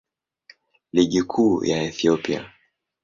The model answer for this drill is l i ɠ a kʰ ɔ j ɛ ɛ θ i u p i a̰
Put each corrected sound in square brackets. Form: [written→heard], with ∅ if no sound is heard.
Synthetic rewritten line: l i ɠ [a→i] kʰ [ɔ→u] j [ɛ→a] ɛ θ i [u→ɔ] p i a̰